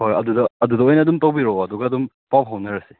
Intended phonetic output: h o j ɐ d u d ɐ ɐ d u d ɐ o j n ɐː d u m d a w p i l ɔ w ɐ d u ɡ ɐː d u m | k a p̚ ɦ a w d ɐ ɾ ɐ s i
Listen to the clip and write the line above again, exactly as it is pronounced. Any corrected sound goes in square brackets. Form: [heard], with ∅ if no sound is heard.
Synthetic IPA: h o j ɐ d u d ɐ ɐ d u d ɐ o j n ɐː d u m [t] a w [b] i [ɾ] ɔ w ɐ d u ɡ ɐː d u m | [p] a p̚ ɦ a w [n] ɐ ɾ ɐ s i

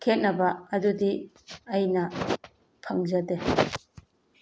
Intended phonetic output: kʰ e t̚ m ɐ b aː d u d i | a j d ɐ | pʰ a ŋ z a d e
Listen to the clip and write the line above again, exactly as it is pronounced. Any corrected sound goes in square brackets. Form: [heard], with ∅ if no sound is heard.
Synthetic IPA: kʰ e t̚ [n] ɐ b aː d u d i | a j [n] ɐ | pʰ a ŋ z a d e

